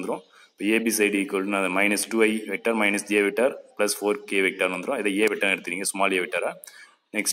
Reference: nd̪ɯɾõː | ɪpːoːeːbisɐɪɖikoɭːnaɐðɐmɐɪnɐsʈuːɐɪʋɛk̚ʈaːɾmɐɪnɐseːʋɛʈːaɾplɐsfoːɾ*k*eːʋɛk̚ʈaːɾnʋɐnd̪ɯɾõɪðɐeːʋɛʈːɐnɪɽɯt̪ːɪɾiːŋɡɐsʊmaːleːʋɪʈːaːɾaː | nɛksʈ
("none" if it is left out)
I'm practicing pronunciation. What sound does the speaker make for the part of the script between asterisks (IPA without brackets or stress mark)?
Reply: k